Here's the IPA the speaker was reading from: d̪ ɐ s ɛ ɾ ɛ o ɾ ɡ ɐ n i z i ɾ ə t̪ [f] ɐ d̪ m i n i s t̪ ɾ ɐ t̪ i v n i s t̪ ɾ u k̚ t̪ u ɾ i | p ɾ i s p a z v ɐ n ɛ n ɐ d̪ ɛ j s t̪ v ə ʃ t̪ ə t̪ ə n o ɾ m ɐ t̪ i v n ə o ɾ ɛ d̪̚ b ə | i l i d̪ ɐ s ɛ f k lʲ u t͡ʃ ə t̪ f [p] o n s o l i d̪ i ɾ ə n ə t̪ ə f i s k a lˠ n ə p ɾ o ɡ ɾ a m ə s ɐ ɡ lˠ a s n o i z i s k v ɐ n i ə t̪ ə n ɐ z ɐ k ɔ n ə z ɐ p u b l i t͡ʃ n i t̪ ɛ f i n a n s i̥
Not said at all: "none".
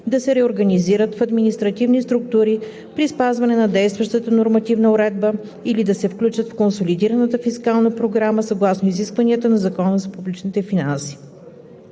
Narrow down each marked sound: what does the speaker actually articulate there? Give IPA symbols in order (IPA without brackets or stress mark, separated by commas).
f, k